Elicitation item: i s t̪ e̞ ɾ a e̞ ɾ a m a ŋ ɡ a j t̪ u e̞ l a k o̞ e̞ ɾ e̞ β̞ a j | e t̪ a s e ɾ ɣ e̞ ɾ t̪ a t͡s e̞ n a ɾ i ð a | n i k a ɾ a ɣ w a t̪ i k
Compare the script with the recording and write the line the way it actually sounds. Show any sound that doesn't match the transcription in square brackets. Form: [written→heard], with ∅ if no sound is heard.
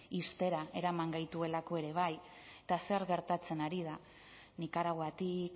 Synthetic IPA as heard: i s t̪ e̞ ɾ a e̞ ɾ a m a ŋ ɡ a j t̪ u e̞ l a k o̞ e̞ ɾ e̞ β̞ a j | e t̪ a s e ɾ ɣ e̞ ɾ t̪ a t͡s e̞ n a ɾ i ð a | n i k a ɾ a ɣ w a t̪ i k